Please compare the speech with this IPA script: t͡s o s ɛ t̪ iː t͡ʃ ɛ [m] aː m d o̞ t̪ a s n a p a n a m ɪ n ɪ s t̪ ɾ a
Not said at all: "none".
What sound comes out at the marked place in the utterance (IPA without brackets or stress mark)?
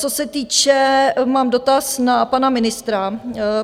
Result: m